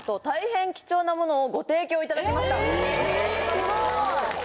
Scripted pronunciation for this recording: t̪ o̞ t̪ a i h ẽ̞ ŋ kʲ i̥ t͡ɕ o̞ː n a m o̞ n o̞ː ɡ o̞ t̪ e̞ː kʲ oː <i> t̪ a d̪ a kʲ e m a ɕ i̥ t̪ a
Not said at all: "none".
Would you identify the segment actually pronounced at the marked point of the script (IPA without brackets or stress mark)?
i